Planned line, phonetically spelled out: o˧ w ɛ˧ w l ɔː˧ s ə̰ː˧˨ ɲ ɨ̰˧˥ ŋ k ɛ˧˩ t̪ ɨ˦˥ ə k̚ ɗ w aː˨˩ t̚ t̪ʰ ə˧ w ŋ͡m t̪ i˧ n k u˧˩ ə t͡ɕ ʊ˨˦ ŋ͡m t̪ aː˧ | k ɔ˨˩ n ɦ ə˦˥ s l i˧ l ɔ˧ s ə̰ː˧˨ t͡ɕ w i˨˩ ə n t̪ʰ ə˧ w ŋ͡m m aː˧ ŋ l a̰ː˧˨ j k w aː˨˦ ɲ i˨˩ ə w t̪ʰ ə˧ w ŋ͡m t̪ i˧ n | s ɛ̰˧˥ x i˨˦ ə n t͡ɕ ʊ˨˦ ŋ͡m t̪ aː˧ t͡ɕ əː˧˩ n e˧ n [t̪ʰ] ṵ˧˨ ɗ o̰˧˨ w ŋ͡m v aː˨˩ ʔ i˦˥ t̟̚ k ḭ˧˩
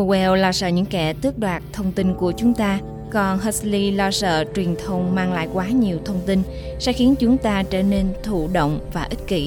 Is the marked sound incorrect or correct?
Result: correct